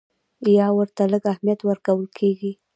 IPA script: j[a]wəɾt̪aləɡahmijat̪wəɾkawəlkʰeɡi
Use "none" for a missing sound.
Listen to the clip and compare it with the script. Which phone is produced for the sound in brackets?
ɑ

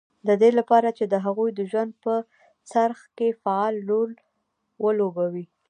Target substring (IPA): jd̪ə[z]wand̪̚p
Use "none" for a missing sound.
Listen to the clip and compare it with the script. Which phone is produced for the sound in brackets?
ʒ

